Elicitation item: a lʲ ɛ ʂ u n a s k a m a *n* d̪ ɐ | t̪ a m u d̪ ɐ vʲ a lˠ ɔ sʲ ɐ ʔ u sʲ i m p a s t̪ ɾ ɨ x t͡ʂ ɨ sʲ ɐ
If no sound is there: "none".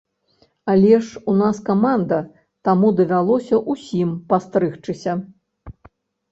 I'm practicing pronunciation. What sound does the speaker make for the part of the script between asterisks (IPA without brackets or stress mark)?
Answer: n